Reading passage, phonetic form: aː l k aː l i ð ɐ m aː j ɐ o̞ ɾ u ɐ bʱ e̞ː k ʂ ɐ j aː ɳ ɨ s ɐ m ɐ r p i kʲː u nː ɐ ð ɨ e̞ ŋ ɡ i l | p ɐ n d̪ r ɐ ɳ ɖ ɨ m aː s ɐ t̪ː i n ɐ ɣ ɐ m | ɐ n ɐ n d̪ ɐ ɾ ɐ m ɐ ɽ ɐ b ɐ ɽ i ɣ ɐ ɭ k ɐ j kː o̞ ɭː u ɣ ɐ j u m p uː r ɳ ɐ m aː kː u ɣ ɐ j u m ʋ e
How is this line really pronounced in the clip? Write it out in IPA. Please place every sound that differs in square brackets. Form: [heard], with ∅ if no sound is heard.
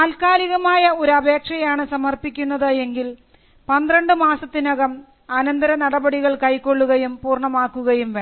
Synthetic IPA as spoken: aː l k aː l i [ɣ] ɐ m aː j ɐ o̞ ɾ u ɐ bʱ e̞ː k ʂ ɐ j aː ɳ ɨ s ɐ m ɐ r p i kʲː u nː ɐ ð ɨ e̞ ŋ ɡ i l | p ɐ n d̪ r ɐ ɳ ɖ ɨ m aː s ɐ t̪ː i n ɐ ɣ ɐ m | ɐ n ɐ n d̪ ɐ ɾ ɐ [n] ɐ ɽ ɐ b ɐ ɽ i ɣ ɐ ɭ k ɐ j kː o̞ ɭː u ɣ ɐ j u m p uː r ɳ ɐ m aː kː u ɣ ɐ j u m ʋ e